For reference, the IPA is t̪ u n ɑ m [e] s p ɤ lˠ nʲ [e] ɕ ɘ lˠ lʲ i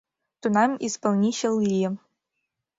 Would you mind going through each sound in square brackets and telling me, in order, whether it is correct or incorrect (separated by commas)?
incorrect, incorrect